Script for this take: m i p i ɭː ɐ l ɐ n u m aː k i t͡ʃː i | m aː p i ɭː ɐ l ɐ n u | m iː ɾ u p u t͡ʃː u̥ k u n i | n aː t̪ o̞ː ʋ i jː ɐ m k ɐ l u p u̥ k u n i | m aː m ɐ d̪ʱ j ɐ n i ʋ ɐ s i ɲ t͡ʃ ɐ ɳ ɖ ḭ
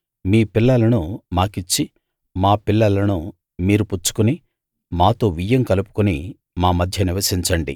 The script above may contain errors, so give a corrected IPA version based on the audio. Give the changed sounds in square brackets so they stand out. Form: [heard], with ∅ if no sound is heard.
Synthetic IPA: m [iː] p i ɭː ɐ l ɐ n u m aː k i t͡ʃː i | m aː p i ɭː ɐ l ɐ n u | m iː ɾ u p u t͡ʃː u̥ k u n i | [m] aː t̪ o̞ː ʋ i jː ɐ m k ɐ l u p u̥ k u n i | m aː m ɐ d̪ʱ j ɐ n i ʋ ɐ s i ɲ t͡ʃ ɐ ɳ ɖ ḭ